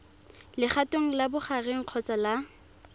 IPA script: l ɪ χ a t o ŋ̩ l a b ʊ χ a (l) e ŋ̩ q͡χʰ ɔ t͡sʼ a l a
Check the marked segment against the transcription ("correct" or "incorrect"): incorrect